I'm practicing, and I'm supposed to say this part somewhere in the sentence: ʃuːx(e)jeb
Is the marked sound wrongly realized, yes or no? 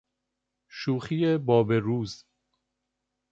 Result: yes